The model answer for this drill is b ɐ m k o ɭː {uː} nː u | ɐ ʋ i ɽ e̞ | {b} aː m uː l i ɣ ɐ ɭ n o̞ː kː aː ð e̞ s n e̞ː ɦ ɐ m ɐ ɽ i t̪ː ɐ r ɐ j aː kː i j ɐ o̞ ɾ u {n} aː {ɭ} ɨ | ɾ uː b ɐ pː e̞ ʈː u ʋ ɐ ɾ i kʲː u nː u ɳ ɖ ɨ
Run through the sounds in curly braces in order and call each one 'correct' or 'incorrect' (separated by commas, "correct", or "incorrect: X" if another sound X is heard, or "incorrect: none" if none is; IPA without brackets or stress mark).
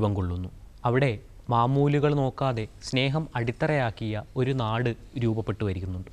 incorrect: u, incorrect: m, correct, incorrect: ɽ